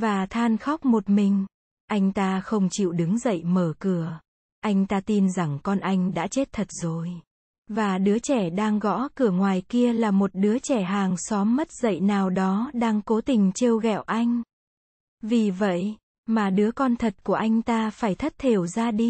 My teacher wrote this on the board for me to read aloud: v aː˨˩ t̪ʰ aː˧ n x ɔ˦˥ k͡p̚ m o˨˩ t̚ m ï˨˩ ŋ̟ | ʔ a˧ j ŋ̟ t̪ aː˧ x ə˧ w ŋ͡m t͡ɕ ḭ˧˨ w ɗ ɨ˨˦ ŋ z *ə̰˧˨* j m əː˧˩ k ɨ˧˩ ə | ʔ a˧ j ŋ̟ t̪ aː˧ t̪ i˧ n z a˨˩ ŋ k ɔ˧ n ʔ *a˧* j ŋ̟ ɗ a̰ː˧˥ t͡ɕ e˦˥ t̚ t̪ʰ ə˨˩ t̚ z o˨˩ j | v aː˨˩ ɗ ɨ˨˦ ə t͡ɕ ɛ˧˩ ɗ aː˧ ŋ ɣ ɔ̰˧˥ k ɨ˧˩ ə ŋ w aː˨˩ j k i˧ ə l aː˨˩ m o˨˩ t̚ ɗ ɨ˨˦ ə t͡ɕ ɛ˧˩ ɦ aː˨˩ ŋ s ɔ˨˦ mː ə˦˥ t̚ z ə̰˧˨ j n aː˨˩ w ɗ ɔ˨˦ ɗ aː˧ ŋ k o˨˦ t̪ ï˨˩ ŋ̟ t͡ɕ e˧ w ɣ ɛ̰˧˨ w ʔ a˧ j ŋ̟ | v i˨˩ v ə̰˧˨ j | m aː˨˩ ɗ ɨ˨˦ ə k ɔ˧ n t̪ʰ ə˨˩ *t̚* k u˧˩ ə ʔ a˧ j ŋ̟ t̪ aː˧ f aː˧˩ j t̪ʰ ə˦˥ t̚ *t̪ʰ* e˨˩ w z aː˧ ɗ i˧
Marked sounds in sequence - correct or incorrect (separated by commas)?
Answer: correct, correct, correct, correct